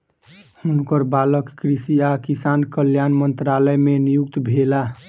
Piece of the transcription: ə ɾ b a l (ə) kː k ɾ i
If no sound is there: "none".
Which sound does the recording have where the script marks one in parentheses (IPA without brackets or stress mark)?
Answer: ə